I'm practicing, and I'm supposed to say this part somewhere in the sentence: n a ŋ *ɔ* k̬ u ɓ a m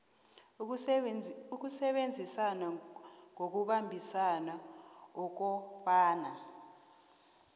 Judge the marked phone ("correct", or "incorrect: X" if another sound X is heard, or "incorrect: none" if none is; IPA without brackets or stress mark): incorrect: o